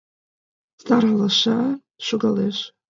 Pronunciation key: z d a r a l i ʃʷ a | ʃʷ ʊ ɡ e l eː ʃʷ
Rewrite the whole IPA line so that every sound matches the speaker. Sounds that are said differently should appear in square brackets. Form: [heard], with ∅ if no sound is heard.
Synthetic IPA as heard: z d a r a l [a] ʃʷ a | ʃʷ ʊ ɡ [a] l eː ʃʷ